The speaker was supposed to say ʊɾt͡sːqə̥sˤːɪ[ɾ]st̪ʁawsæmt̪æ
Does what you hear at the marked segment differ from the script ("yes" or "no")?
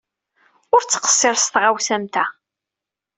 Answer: no